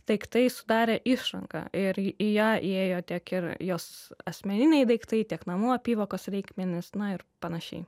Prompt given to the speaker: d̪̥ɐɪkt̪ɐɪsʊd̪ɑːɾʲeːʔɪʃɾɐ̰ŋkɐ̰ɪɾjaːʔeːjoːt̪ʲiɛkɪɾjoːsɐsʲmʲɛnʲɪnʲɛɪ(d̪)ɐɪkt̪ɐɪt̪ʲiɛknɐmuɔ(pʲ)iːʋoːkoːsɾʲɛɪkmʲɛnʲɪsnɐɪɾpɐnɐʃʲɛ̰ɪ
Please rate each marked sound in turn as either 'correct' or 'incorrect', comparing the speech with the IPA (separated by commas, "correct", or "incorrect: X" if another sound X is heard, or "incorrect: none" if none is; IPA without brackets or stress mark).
correct, correct